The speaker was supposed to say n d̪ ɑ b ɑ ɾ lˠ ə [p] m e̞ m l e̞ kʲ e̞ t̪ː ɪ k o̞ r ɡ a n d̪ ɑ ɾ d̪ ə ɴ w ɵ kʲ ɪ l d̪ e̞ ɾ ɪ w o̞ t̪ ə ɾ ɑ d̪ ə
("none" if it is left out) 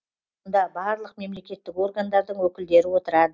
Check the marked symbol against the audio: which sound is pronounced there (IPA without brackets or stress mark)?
q